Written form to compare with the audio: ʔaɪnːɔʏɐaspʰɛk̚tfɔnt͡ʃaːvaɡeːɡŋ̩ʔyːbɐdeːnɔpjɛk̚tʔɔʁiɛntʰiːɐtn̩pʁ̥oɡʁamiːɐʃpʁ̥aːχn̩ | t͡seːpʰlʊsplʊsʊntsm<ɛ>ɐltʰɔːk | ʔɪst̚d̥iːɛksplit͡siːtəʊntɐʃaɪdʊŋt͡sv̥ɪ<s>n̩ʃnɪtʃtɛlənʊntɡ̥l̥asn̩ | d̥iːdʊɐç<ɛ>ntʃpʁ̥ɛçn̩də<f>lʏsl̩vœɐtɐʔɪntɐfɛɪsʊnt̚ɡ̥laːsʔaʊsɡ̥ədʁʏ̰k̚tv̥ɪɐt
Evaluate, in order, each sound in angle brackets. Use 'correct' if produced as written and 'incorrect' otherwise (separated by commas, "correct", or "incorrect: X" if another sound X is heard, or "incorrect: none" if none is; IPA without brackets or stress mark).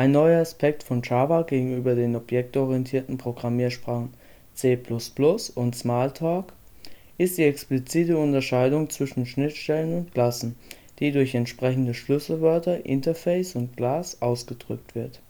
incorrect: a, incorrect: ʃ, correct, incorrect: ʃ